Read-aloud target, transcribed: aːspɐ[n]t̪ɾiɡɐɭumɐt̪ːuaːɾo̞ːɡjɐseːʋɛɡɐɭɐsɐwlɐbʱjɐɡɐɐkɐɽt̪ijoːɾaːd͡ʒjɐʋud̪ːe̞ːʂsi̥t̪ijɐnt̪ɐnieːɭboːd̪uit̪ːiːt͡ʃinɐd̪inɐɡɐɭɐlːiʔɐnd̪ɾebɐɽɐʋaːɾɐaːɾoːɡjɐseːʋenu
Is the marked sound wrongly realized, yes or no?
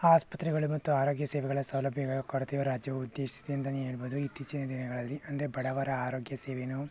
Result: yes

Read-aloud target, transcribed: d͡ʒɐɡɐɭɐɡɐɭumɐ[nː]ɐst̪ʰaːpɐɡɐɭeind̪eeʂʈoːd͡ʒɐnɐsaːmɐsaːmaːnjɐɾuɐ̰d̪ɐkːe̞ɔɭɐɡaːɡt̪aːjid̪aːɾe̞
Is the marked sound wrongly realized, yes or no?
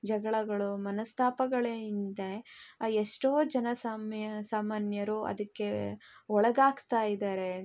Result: yes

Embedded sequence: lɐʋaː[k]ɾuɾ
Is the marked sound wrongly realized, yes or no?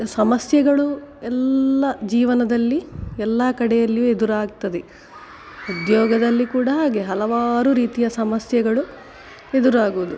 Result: yes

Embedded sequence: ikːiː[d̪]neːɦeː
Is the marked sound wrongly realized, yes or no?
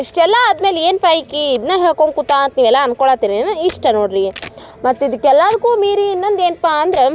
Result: no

